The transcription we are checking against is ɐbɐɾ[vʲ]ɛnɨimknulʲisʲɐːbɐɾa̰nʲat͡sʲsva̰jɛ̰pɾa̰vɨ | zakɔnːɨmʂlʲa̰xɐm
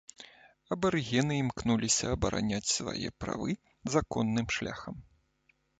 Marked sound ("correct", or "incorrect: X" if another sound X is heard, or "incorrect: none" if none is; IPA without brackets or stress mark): incorrect: ɣʲ